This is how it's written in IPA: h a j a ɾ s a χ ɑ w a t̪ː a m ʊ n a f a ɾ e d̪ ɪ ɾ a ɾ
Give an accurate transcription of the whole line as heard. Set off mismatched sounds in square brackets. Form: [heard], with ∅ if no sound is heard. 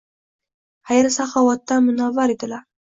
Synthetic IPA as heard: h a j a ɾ s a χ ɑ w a t̪ː a m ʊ n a [v] a ɾ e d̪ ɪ [l] a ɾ